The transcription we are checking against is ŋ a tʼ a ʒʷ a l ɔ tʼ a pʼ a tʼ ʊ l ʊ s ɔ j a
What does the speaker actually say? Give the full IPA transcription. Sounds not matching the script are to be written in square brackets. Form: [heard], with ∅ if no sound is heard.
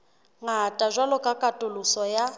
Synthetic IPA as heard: ŋ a tʼ a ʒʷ a l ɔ [kʼ] a [kʼ] a tʼ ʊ l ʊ s ɔ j a